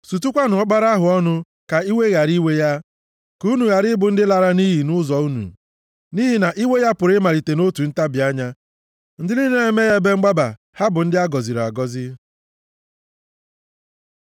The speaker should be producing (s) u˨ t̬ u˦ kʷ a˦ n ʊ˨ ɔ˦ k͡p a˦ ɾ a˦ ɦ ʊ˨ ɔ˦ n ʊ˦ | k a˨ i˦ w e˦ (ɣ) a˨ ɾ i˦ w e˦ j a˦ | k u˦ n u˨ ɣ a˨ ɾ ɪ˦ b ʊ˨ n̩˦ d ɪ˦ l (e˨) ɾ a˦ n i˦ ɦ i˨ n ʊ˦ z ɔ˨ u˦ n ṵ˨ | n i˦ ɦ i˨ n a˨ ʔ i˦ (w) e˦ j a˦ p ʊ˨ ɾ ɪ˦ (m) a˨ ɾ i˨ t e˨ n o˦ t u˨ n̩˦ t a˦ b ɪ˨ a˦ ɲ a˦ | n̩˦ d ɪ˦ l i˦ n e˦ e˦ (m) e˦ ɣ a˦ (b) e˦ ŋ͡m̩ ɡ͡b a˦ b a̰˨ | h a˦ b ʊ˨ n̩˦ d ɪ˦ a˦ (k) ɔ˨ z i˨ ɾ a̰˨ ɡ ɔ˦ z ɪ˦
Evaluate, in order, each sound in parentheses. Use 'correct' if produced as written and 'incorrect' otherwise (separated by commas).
correct, correct, incorrect, correct, correct, correct, correct, incorrect